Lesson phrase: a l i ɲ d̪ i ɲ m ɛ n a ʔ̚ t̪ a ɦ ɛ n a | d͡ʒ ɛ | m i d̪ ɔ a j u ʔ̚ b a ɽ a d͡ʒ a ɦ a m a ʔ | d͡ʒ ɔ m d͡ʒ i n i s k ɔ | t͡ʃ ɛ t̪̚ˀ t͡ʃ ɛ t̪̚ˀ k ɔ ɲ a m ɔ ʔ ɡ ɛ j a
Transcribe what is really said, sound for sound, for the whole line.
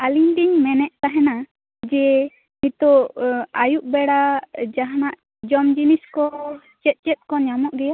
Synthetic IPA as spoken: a l i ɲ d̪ i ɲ m ɛ n ɛ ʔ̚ t̪ a ɦ ɛ n a | d͡ʒ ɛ | m i t̪ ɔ a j u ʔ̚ b ɛ ɽ a d͡ʒ a ɦ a n a ʔ | d͡ʒ ɔ m d͡ʒ i n i s k ɔ | t͡ʃ ɛ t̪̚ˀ t͡ʃ ɛ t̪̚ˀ k ɔ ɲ a m ɔ ʔ ɡ ɛ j a